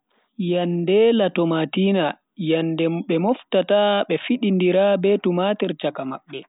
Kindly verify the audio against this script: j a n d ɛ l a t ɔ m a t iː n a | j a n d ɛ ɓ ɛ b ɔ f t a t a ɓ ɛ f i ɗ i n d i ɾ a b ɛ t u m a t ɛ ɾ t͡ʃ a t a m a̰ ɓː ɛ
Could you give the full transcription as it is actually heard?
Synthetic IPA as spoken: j a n d ɛ l a t ɔ m a t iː n a | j a n d ɛ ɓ ɛ m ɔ f t a t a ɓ ɛ f i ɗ i n d i ɾ a b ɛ t u m a t ɛ ɾ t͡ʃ a k a m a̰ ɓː ɛ